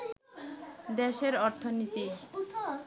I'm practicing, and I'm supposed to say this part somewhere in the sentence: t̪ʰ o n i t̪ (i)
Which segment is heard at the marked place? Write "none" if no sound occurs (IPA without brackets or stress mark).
i